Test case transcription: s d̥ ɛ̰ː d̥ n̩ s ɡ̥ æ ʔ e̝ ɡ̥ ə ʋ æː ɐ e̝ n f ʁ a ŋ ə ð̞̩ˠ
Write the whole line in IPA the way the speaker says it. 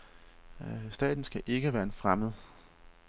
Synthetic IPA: s d̥ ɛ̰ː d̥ n̩ s ɡ̥ æ ʔ e̝ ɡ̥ ə ʋ æː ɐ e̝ n f ʁ a m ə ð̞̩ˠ